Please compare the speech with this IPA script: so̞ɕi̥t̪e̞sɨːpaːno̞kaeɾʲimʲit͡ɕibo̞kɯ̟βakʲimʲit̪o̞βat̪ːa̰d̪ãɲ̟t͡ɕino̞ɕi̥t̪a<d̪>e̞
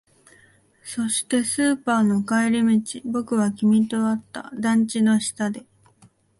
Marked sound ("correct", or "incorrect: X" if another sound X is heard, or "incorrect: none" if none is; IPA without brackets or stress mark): correct